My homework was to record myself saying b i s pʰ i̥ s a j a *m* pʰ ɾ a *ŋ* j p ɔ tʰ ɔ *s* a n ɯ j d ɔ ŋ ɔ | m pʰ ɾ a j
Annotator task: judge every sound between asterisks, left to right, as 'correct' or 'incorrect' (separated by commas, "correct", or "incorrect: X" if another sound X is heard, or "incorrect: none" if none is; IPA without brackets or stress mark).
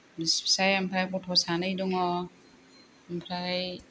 correct, incorrect: none, correct